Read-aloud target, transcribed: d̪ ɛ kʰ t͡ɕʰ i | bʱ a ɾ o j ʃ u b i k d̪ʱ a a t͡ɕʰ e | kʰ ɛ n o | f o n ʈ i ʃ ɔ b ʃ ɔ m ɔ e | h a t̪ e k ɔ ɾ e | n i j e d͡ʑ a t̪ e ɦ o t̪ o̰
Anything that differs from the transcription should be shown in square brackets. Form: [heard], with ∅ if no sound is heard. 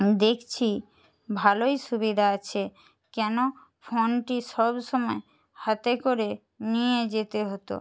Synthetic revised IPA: d̪ [e] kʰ t͡ɕʰ i | bʱ a [l] o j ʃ u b i [∅] d̪ʱ a a t͡ɕʰ e | [k] ɛ n o | f o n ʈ i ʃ ɔ b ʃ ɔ m ɔ e | h a t̪ e k [o] ɾ e | n i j e d͡ʑ [e] t̪ e ɦ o t̪ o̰

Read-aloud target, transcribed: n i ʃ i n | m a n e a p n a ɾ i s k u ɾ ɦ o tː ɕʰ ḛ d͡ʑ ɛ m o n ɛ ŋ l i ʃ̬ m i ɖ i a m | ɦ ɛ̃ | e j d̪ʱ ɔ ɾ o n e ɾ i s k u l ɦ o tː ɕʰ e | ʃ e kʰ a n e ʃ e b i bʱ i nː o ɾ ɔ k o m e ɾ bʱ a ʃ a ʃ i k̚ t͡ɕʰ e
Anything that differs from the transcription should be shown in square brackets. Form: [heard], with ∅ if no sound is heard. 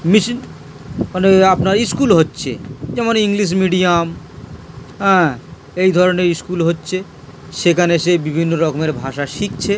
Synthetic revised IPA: [m] i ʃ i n | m a n e a p n a ɾ i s k u [l] ɦ o tː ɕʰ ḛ d͡ʑ ɛ m o n [i] ŋ l i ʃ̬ m i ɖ i a m | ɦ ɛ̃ | e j d̪ʱ ɔ ɾ o n e ɾ i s k u l ɦ o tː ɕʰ e | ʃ e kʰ a n e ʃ e b i bʱ i nː o ɾ ɔ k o m e ɾ bʱ a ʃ a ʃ i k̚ t͡ɕʰ e

